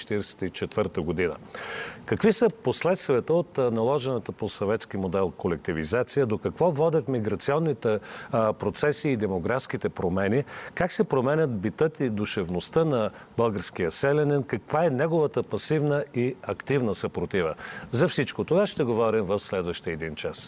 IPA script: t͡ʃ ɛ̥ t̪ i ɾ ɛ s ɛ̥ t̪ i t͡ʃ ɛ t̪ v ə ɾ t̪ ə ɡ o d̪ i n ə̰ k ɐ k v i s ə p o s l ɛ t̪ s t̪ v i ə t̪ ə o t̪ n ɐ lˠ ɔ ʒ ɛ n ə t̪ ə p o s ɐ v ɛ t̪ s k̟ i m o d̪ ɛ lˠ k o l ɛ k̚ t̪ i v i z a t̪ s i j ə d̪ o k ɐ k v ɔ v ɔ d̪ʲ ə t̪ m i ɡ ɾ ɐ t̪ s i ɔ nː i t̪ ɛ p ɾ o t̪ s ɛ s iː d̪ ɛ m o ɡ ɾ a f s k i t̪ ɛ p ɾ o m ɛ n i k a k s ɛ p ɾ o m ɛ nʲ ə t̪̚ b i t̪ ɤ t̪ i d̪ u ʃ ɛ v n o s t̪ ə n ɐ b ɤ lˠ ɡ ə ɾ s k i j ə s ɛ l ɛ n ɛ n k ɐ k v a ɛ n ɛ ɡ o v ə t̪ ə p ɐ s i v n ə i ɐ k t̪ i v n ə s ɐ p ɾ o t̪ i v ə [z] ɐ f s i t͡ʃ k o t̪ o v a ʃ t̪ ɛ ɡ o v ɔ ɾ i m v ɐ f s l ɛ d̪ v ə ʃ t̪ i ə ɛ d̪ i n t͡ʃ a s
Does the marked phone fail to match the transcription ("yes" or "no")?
no